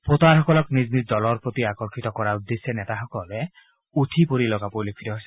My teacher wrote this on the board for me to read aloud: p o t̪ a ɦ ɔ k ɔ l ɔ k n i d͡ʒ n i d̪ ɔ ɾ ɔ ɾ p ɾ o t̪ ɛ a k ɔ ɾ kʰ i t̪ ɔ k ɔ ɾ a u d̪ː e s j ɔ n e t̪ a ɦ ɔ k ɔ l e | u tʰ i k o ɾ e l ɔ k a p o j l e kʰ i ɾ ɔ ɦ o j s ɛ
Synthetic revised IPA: p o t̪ a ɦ ɔ k ɔ l ɔ k n i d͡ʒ n i d̪ ɔ l ɔ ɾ p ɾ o t̪ i a k ɔ ɾ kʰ i t̪ ɔ k ɔ ɾ a u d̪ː e s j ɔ n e t̪ a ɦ ɔ k ɔ l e | u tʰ i p o ɾ i l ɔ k a p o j l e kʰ i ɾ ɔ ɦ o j s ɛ